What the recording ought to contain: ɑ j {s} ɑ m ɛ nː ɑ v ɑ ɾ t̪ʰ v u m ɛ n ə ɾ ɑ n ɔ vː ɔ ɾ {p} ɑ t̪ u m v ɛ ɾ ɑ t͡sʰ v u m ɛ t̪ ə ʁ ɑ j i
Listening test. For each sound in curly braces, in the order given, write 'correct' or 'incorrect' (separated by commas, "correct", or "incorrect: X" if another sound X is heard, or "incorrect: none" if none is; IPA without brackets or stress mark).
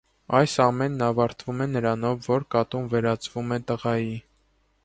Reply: correct, incorrect: k